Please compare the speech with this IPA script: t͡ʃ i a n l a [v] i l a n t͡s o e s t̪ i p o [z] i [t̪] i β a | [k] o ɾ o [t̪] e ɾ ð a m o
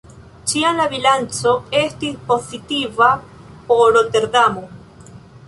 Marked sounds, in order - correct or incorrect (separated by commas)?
incorrect, incorrect, correct, incorrect, correct